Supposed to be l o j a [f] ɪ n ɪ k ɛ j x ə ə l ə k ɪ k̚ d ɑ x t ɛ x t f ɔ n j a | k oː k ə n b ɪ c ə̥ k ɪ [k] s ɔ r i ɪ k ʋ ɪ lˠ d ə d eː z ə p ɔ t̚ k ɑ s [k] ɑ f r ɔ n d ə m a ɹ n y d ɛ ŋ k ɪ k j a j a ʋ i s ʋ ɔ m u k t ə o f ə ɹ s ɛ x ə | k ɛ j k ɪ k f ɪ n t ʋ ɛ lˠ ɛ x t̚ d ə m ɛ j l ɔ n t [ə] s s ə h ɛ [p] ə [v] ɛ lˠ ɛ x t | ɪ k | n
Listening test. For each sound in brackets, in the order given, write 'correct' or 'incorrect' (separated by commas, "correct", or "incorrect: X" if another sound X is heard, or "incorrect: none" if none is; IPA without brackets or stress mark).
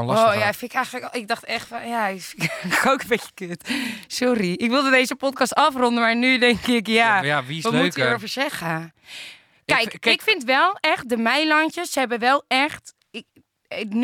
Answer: correct, incorrect: t, incorrect: t, correct, incorrect: b, incorrect: ʋ